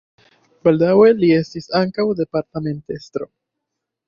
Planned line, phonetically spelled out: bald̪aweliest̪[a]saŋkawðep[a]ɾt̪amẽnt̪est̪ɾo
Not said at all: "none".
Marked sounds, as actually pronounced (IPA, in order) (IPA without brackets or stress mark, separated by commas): i, a